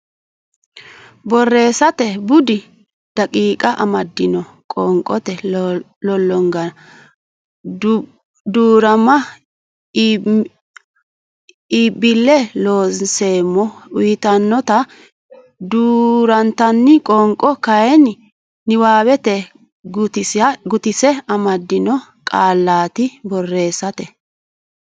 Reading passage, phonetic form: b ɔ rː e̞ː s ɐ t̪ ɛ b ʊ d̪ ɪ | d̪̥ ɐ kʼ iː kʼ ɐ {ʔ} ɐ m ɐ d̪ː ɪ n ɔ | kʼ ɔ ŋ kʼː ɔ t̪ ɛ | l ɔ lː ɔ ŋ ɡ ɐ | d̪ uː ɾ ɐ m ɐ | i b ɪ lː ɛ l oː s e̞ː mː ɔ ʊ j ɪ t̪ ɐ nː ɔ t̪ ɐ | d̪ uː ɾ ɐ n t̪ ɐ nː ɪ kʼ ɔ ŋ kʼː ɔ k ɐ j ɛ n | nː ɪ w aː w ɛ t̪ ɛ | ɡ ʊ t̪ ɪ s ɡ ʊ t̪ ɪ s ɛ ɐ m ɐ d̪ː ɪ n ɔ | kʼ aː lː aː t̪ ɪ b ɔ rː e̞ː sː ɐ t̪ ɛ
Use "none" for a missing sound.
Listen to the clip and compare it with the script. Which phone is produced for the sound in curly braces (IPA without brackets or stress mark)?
ʔ